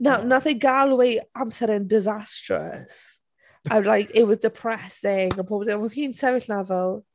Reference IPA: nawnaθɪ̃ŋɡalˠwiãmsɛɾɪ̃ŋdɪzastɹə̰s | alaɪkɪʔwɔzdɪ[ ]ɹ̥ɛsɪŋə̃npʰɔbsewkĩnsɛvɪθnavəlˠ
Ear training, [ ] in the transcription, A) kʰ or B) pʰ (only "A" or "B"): B